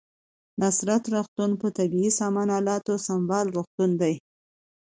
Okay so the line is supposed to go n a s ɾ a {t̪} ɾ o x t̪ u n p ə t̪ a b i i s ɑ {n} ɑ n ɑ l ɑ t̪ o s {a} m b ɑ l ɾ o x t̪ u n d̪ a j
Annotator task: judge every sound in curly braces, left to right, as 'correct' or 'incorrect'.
correct, incorrect, correct

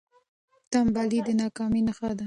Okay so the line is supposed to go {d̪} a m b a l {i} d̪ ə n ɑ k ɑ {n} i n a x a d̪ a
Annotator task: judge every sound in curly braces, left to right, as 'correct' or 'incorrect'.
incorrect, correct, incorrect

